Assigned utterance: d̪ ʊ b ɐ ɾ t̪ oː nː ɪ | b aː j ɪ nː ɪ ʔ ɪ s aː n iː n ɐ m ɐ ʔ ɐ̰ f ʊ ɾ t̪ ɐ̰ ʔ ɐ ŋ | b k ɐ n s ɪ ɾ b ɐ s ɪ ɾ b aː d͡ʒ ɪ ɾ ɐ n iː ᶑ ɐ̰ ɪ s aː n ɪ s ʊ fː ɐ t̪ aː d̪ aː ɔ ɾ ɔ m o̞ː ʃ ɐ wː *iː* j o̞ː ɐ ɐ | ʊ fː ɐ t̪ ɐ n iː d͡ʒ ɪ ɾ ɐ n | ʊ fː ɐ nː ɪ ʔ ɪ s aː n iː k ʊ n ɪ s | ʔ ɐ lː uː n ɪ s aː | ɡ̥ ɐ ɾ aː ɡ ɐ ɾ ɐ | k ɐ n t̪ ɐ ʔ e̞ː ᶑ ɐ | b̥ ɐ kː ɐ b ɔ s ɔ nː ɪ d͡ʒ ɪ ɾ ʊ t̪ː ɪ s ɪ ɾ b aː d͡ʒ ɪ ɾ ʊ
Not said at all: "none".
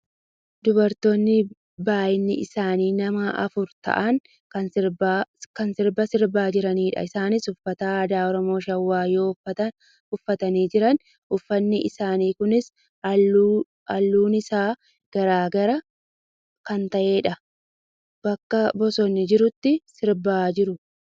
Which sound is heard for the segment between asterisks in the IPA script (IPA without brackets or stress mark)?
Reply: aː